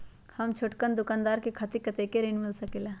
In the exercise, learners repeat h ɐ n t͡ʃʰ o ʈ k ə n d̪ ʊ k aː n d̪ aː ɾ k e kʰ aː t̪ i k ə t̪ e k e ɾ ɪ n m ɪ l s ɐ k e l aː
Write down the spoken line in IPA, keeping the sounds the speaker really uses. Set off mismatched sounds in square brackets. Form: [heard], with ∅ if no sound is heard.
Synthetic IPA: h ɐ [m] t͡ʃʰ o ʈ k ə n d̪ ʊ k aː n d̪ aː ɾ k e kʰ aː t̪ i k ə t̪ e k e ɾ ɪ n m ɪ l s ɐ k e l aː